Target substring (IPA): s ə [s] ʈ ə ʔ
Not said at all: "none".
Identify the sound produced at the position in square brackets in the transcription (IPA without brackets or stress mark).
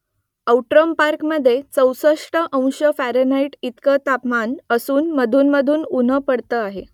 ʂ